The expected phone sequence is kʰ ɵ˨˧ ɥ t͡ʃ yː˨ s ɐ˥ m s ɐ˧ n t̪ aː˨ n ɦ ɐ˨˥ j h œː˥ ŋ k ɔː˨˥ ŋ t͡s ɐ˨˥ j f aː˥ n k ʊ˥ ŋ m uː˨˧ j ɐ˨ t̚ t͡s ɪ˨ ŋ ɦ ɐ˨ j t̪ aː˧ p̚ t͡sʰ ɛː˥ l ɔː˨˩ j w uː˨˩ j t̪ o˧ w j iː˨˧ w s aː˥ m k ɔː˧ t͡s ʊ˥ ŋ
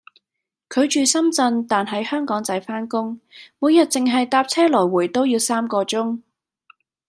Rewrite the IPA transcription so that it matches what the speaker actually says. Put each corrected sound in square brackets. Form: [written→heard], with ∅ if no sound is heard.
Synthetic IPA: kʰ ɵ˨˧ ɥ t͡ʃ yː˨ s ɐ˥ m [s→t͡s] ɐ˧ n t̪ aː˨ n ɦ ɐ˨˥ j h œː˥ ŋ k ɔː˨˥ ŋ t͡s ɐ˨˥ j f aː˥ n k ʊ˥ ŋ m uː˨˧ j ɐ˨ t̚ t͡s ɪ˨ ŋ ɦ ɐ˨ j t̪ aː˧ p̚ t͡sʰ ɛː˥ l ɔː˨˩ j w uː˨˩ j t̪ [o˧→o˥] w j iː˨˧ w s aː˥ m k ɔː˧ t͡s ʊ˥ ŋ